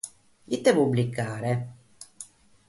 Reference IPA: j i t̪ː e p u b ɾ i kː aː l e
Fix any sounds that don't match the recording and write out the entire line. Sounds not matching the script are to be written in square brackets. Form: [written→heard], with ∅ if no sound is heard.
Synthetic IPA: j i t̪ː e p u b [ɾ→l] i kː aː [l→ɾ] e